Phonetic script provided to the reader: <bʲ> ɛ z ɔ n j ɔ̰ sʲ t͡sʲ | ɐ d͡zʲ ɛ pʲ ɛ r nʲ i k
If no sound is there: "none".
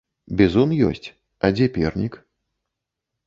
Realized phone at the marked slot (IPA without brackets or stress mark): bʲ